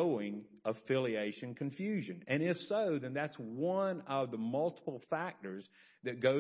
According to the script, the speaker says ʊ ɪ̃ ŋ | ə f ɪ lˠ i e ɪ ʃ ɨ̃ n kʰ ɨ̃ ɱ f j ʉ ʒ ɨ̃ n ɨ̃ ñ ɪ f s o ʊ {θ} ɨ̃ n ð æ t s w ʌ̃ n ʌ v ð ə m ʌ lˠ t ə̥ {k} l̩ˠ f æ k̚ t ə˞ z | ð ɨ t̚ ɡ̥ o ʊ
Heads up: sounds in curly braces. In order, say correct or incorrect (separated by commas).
incorrect, incorrect